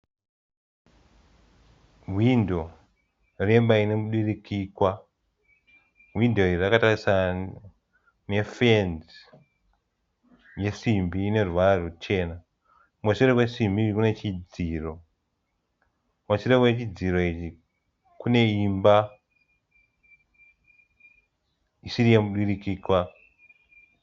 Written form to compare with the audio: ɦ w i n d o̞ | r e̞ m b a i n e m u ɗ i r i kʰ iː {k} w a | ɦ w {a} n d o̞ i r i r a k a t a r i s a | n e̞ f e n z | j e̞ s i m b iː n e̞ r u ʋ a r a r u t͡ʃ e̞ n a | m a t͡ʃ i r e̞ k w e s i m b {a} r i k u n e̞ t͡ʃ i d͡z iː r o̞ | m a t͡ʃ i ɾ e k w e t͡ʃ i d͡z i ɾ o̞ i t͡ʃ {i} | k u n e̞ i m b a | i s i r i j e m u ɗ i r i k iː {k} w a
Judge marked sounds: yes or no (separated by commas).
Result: yes, no, no, yes, yes